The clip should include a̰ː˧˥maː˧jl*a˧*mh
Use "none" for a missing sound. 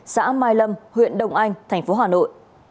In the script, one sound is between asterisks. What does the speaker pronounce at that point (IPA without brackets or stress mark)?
ə˧